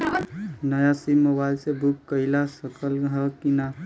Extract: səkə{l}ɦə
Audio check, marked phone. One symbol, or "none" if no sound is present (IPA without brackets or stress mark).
l